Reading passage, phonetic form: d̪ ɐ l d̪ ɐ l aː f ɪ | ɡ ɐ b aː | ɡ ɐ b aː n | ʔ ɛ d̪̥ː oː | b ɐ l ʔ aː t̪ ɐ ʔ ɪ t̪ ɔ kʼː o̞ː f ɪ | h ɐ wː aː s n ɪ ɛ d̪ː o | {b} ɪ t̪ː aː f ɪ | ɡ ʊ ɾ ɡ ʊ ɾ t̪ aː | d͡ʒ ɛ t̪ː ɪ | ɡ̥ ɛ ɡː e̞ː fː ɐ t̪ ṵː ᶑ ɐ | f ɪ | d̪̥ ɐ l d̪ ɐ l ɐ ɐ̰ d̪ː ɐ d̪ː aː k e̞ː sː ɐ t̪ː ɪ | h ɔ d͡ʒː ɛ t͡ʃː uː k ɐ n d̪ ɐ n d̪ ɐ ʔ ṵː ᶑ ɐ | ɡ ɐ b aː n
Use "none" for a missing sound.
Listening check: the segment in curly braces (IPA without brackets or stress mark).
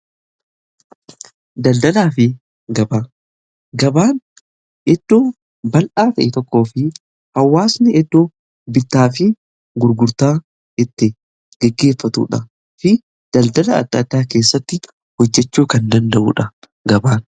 b